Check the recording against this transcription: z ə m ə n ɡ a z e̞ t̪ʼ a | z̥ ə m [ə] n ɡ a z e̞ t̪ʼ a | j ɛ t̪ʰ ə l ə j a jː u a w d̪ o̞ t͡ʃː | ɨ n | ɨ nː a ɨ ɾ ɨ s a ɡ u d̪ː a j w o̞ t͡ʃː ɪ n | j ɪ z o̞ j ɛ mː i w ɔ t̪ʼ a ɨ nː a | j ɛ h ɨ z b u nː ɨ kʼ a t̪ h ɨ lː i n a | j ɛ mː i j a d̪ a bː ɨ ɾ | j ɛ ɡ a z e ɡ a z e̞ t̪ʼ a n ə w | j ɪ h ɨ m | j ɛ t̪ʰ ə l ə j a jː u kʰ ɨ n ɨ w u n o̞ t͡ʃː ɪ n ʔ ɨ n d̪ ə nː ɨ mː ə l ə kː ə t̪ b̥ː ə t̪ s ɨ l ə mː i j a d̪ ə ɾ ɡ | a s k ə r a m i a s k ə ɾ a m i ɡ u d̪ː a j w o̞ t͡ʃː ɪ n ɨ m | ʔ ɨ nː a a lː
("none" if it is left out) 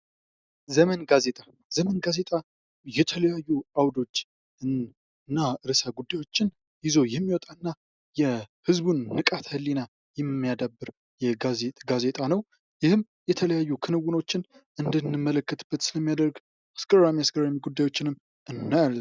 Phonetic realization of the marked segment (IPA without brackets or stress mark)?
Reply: ə